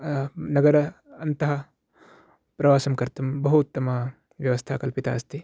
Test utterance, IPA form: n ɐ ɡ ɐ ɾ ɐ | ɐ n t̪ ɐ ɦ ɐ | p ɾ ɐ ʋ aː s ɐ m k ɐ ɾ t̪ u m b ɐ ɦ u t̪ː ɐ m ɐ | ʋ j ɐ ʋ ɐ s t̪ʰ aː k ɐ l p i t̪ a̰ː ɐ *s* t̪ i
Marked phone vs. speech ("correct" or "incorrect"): correct